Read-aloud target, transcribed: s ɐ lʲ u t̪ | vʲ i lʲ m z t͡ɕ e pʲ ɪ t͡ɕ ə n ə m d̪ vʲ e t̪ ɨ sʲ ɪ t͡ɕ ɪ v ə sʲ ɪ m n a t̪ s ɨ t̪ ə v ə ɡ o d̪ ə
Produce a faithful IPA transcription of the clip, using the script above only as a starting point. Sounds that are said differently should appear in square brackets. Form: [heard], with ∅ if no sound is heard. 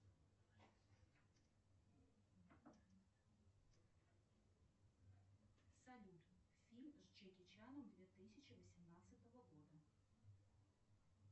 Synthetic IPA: s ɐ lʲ u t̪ | [fʲ] i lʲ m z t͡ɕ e [kʲ] ɪ t͡ɕ [a] n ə m d̪ vʲ e t̪ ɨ sʲ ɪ t͡ɕ ɪ v ə sʲ ɪ m n a t̪ s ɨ t̪ ə v ə ɡ o d̪ ə

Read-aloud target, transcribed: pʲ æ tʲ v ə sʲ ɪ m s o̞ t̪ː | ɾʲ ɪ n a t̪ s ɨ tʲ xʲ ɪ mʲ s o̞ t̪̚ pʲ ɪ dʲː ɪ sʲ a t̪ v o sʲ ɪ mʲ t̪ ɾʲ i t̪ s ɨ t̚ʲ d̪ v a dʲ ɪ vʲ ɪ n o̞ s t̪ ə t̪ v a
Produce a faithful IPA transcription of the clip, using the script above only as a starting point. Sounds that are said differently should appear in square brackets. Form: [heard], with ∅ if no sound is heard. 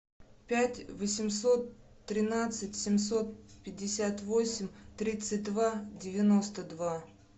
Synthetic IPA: pʲ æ tʲ v ə sʲ ɪ m s o̞ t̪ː | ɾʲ ɪ n a t̪ s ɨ tʲ [sʲ] ɪ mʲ s o̞ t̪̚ pʲ ɪ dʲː ɪ sʲ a t̪ v o sʲ ɪ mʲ t̪ ɾʲ i t̪ s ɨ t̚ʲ d̪ v a dʲ ɪ vʲ ɪ n o̞ s t̪ ə [d̪] v a

